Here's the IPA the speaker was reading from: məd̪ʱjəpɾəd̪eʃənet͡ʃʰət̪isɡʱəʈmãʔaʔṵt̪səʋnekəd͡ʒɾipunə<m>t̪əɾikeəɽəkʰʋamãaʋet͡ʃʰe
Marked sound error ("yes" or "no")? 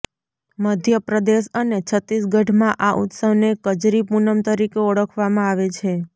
no